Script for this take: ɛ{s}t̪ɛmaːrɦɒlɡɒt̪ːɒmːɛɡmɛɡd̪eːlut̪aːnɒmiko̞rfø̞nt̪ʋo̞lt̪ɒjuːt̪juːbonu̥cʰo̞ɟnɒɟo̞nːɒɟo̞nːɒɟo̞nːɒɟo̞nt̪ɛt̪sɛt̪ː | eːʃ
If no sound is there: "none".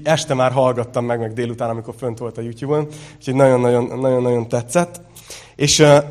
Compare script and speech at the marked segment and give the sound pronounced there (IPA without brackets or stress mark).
ʃ